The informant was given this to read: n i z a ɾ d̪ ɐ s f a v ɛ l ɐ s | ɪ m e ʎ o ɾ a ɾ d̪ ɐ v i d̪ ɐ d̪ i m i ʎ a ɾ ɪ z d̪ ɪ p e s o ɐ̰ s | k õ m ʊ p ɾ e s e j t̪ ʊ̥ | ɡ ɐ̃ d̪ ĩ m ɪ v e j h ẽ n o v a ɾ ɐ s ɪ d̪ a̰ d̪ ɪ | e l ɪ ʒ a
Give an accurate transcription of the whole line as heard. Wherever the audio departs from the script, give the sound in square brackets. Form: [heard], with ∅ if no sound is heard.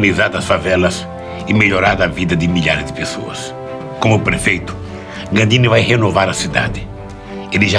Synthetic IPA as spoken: n i z a ɾ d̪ ɐ s f a v ɛ l ɐ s | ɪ m e ʎ o ɾ a ɾ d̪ ɐ v i d̪ ɐ d̪ [ɪ] m i ʎ a ɾ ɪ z d̪ ɪ p e s o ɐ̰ s | k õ m ʊ p ɾ e [f] e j t̪ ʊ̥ | ɡ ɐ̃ d̪ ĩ [n] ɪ v [a] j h [e] n o v a ɾ ɐ s [i] d̪ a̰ d̪ ɪ | e l ɪ ʒ a

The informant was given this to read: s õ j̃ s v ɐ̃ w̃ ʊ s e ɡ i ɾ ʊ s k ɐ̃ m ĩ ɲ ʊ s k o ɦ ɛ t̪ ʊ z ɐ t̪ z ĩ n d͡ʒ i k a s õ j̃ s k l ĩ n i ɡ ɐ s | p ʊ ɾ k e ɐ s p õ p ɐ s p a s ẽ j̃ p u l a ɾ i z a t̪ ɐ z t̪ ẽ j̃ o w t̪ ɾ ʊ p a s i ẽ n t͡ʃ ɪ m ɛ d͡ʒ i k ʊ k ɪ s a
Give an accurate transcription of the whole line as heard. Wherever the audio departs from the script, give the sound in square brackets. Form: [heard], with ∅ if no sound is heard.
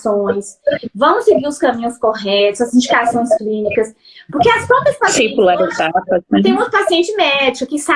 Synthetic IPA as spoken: s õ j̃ s v ɐ̃ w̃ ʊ s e ɡ i ɾ ʊ s k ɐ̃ m ĩ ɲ ʊ s k o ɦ ɛ t̪ ʊ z ɐ [∅] z ĩ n d͡ʒ i k a s õ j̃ s k l ĩ n i [k] ɐ s | p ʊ ɾ k e ɐ s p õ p ɐ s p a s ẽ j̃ p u l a ɾ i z a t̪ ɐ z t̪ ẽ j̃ o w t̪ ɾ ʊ p a s i ẽ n t͡ʃ ɪ m ɛ d͡ʒ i k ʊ k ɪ s a

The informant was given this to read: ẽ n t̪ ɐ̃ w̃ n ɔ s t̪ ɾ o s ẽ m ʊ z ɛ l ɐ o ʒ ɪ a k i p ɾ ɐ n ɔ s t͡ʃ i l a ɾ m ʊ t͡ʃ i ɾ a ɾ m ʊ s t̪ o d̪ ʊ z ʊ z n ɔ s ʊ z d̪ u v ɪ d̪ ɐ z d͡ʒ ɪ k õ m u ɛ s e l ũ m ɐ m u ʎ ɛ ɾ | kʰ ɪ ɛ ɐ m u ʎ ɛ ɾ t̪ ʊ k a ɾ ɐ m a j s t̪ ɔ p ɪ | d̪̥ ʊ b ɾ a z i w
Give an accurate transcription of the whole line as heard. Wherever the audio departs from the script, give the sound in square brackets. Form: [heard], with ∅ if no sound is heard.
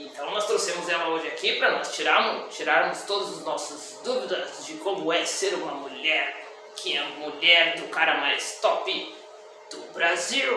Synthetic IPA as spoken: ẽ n t̪ ɐ̃ w̃ n ɔ s t̪ ɾ o s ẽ m ʊ z ɛ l ɐ o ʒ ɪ a k i p ɾ ɐ n ɔ s t͡ʃ i [ɾ] a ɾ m ʊ t͡ʃ i ɾ a ɾ m ʊ s t̪ o d̪ ʊ z ʊ z n ɔ s ʊ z d̪ u v [i] d̪ ɐ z d͡ʒ ɪ k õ m [ʊ] ɛ s e [ɾ] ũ m ɐ m u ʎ ɛ ɾ | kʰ ɪ ɛ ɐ m u ʎ ɛ ɾ [d̪] ʊ k a ɾ ɐ m a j s t̪ ɔ p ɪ | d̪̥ ʊ b ɾ a z i w

